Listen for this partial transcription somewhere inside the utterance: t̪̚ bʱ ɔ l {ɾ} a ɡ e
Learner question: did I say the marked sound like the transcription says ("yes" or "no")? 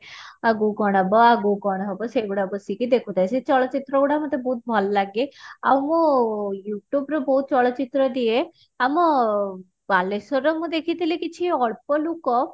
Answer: no